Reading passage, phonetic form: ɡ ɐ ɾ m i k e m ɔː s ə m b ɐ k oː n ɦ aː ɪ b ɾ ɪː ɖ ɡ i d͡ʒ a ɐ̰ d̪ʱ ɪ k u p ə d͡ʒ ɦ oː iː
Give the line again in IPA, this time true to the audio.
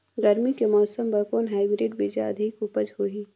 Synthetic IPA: ɡ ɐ ɾ m i k e m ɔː s ə m b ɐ k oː n ɦ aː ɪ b ɾ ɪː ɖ b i d͡ʒ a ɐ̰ d̪ʱ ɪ k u p ə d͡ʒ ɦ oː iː

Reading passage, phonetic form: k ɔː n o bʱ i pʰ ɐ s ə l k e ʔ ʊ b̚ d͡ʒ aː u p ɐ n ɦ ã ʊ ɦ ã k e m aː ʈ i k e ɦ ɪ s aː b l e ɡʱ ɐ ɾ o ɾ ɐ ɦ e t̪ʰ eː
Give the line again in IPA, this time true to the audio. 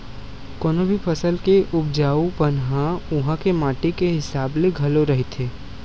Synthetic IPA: k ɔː n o bʱ i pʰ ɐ s ə l k e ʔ ʊ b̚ d͡ʒ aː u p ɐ n ɦ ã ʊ ɦ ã k e m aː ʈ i k e ɦ ɪ s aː b l e ɡʱ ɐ l o ɾ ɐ ɦ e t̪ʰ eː

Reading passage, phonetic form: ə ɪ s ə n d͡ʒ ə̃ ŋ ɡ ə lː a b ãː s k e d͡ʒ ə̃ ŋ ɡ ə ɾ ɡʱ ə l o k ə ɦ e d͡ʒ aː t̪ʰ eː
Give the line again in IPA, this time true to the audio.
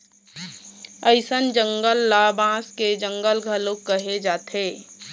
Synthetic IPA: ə ɪ s ə n d͡ʒ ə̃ ŋ ɡ ə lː a b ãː s k e d͡ʒ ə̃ ŋ ɡ ə l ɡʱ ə l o k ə ɦ e d͡ʒ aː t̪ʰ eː

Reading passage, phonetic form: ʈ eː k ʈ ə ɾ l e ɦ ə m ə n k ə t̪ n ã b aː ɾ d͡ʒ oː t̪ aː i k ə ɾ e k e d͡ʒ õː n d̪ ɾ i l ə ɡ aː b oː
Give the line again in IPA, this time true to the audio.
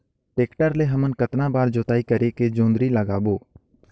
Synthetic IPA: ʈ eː k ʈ ə ɾ l e ɦ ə m ə n k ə t̪ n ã b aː ɾ d͡ʒ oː t̪ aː i k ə ɾ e k e d͡ʒ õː n d̪ ɾ i l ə ɡ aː b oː

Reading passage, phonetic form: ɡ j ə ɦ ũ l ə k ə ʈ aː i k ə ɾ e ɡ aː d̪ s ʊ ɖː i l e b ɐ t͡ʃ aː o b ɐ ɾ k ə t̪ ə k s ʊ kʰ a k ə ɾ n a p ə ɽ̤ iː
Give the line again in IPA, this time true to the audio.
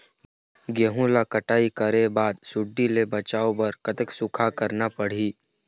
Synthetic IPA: ɡ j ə ɦ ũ l a k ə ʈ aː i k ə ɾ e b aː d̪ s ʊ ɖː i l e b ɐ t͡ʃ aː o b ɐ ɾ k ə t̪ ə k s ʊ kʰ a k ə ɾ n a p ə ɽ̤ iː

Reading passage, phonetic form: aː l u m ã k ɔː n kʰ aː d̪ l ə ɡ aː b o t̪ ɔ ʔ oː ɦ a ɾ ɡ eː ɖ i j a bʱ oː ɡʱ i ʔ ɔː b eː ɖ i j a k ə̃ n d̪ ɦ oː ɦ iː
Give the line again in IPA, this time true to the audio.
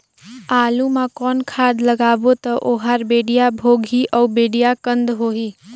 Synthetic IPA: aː l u m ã k ɔː n kʰ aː d̪ l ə ɡ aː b o t̪ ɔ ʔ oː ɦ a ɾ b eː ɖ i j a bʱ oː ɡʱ i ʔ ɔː b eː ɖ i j a k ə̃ n d̪ ɦ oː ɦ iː

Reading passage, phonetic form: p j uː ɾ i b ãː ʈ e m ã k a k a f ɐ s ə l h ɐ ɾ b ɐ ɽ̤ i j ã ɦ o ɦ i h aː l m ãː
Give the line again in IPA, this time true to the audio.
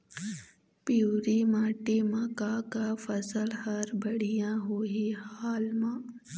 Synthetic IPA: p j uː ɾ i m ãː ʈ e m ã k a k a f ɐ s ə l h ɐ ɾ b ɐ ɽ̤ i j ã ɦ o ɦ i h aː l m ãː

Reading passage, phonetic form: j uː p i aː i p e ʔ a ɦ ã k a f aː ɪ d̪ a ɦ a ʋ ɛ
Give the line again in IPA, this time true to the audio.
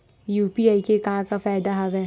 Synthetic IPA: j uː p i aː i k e k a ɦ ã k a f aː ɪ d̪ a ɦ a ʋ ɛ

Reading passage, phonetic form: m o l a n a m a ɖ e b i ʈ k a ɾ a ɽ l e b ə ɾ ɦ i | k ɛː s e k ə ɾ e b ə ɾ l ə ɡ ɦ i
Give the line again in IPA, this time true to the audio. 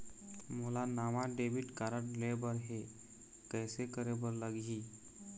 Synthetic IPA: m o l a n a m a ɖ e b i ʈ k a ɾ ə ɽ l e b ə ɾ ɦ e | k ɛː s e k ə ɾ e b ə ɾ l ə ɡ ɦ i

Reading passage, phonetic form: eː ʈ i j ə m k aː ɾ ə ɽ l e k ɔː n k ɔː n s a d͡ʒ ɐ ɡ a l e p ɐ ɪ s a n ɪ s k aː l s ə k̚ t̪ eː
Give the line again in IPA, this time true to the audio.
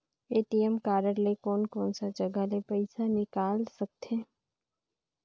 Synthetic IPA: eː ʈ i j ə m k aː ɾ ə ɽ l e k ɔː n k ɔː n s a d͡ʒ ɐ ɡ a l e p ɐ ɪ s a n ɪ k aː l s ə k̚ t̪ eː

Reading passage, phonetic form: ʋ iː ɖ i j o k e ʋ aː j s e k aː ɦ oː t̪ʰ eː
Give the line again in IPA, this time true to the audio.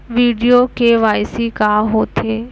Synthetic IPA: ʋ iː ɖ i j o k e ʋ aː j s i k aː ɦ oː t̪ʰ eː

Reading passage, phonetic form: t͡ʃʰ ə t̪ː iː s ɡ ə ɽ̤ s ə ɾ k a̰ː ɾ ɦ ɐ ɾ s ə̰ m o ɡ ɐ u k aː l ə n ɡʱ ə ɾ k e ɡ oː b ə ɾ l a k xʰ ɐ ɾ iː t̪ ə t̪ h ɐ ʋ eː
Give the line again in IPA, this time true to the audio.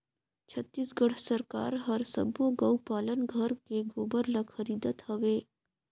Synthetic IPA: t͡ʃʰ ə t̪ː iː s ɡ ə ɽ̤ s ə ɾ k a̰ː ɾ ɦ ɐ ɾ s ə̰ b o ɡ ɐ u p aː l ə n ɡʱ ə ɾ k e ɡ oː b ə ɾ l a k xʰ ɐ ɾ iː d̪ ə t̪ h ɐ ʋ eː

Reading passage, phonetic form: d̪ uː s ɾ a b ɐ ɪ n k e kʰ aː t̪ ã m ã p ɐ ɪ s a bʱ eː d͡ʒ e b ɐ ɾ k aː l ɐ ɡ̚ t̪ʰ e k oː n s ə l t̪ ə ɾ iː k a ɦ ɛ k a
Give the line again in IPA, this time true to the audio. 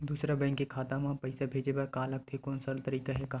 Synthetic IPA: d̪ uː s ɾ a b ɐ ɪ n k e kʰ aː t̪ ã m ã p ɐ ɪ s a bʱ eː d͡ʒ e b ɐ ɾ k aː l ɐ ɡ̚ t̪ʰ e k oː n s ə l t̪ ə ɾ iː k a ɦ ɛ k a

